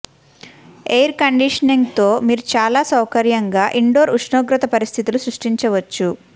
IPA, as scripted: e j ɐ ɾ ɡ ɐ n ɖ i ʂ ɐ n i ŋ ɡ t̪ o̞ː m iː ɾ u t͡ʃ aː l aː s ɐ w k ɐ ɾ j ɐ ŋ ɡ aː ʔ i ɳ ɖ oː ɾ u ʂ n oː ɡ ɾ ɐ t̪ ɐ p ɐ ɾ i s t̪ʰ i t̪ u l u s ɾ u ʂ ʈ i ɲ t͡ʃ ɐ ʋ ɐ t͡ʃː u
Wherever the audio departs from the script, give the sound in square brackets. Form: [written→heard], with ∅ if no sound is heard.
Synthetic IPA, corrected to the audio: e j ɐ ɾ [ɡ→k] ɐ [n→ɳ] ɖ i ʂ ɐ n i ŋ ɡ t̪ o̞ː m iː ɾ u t͡ʃ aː l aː s ɐ w k ɐ ɾ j ɐ ŋ ɡ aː ʔ i ɳ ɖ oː ɾ u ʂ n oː ɡ ɾ ɐ t̪ ɐ p ɐ ɾ i s t̪ʰ i t̪ u l u s ɾ u ʂ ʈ i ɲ t͡ʃ ɐ ʋ ɐ t͡ʃː u